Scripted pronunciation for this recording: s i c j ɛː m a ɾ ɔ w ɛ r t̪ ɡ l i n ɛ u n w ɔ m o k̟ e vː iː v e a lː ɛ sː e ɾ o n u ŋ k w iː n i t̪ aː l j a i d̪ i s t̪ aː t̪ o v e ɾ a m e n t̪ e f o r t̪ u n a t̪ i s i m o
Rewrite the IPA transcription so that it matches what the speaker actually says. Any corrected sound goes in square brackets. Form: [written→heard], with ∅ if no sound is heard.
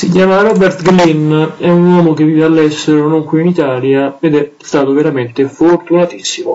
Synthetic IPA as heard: s i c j [ɛː→aː] m a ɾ ɔ [w→b] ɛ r t̪ ɡ l i n ɛ u n w ɔ m o k̟ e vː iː v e a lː ɛ sː e ɾ o n [u→o] ŋ k w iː n i t̪ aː l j a [i→e] d̪ [i→ɛ] s t̪ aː t̪ o v e ɾ a m e n t̪ e f o r t̪ u n a t̪ i [s→sː] i m o